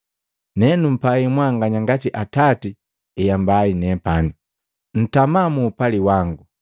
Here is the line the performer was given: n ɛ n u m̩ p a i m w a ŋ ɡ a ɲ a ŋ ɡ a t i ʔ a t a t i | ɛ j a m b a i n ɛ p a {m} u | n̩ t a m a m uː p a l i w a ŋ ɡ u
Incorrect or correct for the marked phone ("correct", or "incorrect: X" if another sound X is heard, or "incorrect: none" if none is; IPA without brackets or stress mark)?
incorrect: n